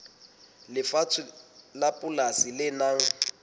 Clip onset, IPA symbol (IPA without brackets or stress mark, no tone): l